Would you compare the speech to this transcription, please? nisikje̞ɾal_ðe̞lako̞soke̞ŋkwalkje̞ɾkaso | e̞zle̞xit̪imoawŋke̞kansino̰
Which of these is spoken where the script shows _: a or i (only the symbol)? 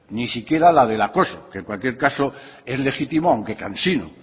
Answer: a